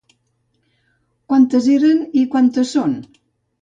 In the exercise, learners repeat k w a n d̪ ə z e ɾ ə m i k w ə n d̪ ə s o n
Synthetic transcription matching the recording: k w a n t̪ ə z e ɾ ə n i k w a n t̪ ə s o n

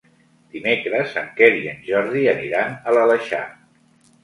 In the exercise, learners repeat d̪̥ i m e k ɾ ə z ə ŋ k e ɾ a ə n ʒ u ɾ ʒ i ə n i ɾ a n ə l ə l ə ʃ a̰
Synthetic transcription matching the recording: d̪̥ i m e k ɾ ə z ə ŋ k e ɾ i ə n ʒ ɔ ɾ ð i ə n i ɾ a n ə l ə l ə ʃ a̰

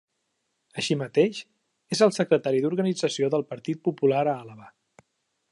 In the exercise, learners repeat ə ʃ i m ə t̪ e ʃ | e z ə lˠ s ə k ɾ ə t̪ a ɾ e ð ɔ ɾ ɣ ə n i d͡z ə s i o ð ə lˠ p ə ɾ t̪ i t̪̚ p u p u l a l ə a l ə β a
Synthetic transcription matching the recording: ə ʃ i m ə t̪ e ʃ | e z ə lˠ s ə k ɾ ə t̪ a ɾ i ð u ɾ ɣ ə n i d͡z ə s i o ð ə lˠ p ə ɾ t̪ i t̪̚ p u p u l a ɾ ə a l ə β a

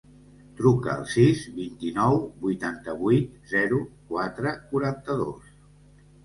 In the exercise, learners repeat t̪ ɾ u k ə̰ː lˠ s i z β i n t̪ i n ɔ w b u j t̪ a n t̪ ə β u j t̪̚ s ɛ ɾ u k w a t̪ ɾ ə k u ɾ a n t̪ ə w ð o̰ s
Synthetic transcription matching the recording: t̪ ɾ u k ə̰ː lˠ s i z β i n t̪ i n ɔ w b u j t̪ a n t̪ ə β u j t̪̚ z ɛ ɾ u k w a t̪ ɾ ə k u ɾ a n t̪ ə ð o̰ s

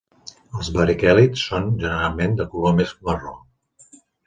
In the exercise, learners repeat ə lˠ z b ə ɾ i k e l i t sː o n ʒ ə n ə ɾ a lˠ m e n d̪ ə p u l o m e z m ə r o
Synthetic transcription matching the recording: ə lˠ z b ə ɾ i k ɛ l i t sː o n ʒ ə n ə ɾ a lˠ m e n d̪ ə k u l o m e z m ə r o

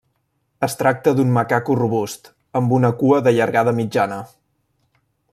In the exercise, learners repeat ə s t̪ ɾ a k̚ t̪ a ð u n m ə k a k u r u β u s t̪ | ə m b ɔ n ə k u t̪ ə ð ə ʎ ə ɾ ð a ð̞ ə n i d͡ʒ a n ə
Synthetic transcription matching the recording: ə s t̪ ɾ a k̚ t̪ ə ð u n m ə k a k u r u β u s t̪ | ə m b u n ə k u ə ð ə ʎ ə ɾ ɣ a ð̞ ə m i d͡ʒ a n ə

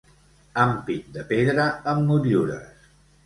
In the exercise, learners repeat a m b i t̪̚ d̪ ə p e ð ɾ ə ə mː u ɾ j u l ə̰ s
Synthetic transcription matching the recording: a m p i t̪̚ d̪ ə p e ð ɾ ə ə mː u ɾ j u ɾ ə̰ s

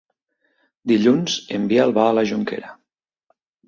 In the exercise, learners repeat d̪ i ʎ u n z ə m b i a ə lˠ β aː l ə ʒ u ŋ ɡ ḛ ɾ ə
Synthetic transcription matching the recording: d̪ i ʎ u n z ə m b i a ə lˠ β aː l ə ʒ u ŋ k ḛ ɾ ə

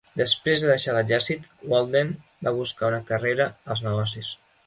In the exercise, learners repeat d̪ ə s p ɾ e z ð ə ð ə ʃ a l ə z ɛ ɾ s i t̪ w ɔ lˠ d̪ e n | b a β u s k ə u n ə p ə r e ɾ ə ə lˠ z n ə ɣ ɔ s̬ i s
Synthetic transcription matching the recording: d̪ ə s p ɾ e z ð ə ð ə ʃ a l ə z ɛ ɾ s i t̪ w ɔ lˠ d̪ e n | b a β u s k a u n ə k ə r e ɾ ə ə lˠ z n ə ɣ ɔ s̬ i s

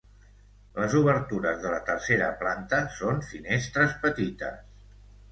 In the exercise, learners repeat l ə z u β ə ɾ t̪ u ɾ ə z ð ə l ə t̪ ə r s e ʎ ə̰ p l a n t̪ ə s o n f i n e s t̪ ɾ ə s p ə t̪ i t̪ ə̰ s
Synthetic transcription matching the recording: l ə z u β ə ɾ t̪ u ɾ ə z ð ə l ə t̪ ə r s e ɾ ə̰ p l a n t̪ ə s o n f i n e s t̪ ɾ ə s p ə t̪ i t̪ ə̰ s

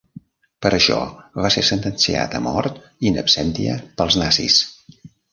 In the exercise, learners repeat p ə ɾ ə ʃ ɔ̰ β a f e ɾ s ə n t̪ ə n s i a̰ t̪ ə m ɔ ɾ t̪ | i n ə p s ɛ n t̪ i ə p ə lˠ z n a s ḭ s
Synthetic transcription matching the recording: p ə ɾ ə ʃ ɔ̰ β a s e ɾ s ə n t̪ ə n s i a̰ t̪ ə m ɔ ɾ t̪ | i n ə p s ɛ n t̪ i ə p ə lˠ z n a s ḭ s

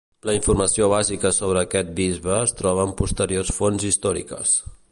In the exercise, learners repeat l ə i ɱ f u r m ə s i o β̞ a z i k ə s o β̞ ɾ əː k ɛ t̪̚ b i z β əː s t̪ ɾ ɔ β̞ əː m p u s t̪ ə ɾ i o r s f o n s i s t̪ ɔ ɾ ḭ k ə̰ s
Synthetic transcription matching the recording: l ə i ɱ f u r m ə s i o β̞ a z i k ə s o β̞ ɾ əː k ɛ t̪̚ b i z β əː s t̪ ɾ ɔ β̞ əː m p u s t̪ ə ɾ i o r s f o n z i s t̪ ɔ ɾ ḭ k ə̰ s

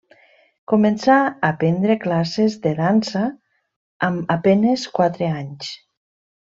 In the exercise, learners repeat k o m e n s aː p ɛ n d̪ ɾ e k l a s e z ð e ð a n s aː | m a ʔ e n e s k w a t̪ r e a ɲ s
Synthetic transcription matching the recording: k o m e n s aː p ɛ n d̪ ɾ e k l a s e z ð e ð a n s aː | m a p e n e s k w a t̪ ɾ e a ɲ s

